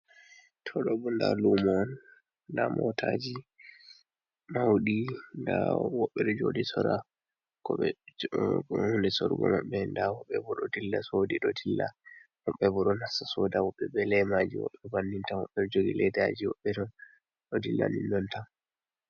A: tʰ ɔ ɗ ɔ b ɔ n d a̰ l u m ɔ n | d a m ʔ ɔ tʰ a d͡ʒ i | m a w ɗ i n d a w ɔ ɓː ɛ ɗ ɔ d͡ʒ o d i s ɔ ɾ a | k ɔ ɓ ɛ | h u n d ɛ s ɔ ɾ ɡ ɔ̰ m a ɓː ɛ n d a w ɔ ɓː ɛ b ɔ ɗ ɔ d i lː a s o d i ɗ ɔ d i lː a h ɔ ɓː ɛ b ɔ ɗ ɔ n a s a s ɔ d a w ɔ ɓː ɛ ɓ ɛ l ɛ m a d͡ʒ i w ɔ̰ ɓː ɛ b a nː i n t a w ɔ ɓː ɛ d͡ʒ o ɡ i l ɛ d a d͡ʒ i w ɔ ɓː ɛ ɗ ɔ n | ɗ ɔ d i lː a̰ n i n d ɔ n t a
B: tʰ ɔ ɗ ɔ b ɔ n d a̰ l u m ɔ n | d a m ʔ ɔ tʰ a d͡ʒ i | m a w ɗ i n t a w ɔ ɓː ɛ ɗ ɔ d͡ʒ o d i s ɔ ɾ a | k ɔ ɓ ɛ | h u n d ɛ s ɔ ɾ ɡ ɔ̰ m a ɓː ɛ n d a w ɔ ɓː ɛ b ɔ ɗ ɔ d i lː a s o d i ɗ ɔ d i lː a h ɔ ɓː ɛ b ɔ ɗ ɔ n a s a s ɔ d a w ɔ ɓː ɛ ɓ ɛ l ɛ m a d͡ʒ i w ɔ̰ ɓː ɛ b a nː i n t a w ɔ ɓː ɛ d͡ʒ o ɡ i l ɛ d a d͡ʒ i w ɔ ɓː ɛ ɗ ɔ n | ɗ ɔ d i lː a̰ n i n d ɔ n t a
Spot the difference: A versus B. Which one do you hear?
A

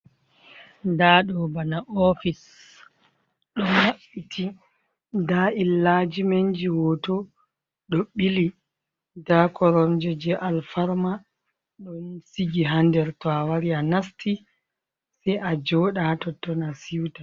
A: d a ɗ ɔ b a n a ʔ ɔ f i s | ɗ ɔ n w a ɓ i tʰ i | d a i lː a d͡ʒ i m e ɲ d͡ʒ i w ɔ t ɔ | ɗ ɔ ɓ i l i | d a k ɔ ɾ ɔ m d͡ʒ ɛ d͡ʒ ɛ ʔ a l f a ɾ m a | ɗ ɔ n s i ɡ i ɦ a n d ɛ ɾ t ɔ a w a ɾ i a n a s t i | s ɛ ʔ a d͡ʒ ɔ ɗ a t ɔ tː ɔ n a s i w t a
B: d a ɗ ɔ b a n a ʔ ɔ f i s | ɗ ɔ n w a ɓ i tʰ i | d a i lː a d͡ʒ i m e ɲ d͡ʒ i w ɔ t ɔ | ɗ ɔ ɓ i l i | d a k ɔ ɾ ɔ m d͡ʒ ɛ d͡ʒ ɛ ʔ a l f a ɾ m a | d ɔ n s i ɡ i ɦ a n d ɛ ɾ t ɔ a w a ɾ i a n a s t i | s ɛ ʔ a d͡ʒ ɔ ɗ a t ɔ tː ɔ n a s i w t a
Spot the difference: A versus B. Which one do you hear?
A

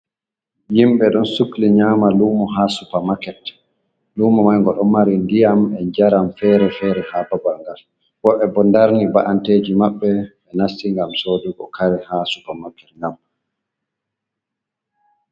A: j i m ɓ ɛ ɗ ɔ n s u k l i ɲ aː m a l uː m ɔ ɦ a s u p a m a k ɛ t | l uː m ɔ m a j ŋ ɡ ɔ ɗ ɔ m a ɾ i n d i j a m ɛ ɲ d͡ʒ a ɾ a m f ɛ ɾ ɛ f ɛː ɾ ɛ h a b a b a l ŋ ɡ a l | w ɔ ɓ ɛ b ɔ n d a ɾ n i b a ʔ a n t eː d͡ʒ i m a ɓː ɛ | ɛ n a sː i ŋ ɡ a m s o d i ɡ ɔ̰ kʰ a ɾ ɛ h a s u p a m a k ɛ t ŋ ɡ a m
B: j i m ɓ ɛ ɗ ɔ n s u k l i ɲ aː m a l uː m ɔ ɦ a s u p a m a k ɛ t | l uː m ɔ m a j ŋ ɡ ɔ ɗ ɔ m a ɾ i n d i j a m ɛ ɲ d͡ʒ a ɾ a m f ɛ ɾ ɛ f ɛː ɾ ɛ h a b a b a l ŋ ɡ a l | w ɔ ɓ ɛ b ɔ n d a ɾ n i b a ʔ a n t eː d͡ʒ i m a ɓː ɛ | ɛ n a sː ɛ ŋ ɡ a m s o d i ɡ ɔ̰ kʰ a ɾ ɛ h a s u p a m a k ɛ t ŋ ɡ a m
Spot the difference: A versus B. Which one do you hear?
A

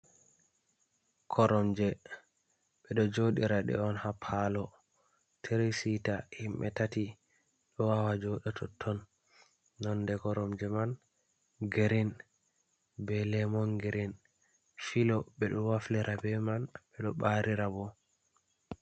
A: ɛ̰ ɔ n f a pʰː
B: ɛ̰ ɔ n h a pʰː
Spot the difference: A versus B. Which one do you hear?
B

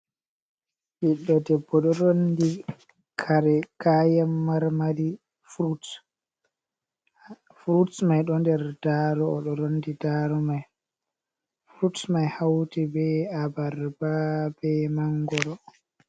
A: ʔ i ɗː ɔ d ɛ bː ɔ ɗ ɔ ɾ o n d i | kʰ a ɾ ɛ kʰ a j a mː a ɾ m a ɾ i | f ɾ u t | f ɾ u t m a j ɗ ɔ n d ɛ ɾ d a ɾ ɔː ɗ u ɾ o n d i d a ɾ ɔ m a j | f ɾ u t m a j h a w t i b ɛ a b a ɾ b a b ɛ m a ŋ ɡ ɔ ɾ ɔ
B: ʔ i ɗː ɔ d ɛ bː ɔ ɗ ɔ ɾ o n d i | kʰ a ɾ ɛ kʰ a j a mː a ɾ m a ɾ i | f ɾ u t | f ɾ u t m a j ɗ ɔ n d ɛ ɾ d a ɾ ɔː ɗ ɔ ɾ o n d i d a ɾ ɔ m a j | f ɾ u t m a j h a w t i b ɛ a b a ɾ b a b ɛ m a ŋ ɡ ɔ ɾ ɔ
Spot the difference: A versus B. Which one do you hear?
B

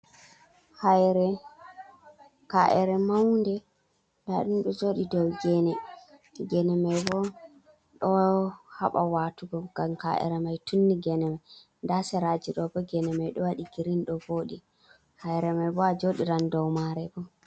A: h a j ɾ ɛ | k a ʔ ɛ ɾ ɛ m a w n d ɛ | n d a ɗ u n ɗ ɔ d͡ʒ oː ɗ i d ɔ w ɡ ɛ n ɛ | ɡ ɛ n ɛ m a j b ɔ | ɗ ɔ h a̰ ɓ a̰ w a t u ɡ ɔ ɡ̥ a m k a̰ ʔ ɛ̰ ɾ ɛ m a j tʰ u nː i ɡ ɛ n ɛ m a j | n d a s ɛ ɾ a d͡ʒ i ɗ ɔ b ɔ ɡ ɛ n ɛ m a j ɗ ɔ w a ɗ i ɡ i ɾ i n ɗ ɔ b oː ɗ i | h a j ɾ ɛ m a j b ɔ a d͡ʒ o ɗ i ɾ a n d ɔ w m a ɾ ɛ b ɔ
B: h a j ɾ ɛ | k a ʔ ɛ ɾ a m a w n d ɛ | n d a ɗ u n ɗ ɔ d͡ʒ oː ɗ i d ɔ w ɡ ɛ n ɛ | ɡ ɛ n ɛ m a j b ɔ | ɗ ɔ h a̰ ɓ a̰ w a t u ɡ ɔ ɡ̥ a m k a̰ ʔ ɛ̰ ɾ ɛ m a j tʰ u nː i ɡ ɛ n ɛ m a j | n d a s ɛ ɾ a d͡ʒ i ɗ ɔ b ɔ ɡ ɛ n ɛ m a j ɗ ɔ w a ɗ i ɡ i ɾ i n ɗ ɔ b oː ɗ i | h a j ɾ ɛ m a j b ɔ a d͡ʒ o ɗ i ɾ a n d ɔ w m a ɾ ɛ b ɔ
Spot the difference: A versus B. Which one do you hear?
A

